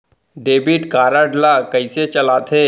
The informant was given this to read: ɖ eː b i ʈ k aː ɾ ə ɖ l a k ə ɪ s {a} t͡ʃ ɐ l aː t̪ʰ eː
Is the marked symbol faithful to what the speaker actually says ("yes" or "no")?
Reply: no